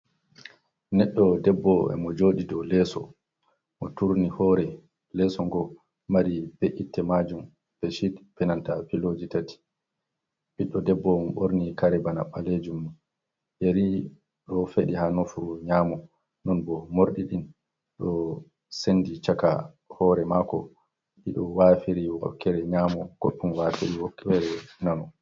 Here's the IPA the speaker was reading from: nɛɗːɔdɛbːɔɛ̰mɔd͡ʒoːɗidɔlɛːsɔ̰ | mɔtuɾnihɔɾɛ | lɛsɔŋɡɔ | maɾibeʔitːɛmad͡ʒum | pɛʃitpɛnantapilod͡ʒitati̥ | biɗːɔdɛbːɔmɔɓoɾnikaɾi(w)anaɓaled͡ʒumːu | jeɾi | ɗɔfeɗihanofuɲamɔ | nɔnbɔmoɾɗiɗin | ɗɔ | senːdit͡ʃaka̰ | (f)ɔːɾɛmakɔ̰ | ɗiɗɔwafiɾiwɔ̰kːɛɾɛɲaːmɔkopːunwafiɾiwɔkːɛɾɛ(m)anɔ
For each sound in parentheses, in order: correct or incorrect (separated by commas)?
incorrect, incorrect, incorrect